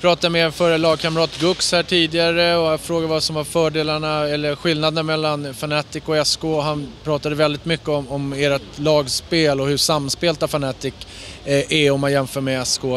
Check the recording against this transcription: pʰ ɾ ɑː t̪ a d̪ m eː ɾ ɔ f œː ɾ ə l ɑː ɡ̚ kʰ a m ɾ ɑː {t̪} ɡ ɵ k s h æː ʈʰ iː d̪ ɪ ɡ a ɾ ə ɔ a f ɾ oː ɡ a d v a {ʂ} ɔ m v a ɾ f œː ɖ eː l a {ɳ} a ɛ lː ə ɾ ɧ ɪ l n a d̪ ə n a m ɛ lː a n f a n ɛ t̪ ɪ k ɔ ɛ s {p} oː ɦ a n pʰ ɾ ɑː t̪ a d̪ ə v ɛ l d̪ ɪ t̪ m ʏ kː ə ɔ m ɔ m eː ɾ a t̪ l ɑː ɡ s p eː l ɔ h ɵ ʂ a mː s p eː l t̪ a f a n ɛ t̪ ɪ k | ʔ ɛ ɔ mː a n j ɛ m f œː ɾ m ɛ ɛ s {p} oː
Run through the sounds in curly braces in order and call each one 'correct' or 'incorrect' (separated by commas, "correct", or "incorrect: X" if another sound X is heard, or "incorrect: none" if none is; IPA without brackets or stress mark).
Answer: correct, incorrect: s, correct, incorrect: k, incorrect: k